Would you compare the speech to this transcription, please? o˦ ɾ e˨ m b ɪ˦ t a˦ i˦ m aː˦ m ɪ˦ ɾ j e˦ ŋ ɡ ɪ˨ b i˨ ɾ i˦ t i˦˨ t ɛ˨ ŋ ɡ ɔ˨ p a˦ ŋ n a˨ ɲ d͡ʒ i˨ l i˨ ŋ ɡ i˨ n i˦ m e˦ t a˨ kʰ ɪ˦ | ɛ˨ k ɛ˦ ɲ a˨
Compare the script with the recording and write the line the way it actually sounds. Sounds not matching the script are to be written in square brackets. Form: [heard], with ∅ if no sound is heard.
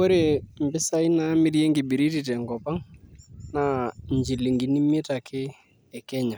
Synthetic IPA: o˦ ɾ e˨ m b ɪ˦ [s] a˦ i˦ [n] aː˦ m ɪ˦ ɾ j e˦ ŋ ɡ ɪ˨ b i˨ ɾ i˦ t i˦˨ t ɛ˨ ŋ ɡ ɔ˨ p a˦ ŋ n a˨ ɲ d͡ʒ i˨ l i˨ ŋ ɡ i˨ n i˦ m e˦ t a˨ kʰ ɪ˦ | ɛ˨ k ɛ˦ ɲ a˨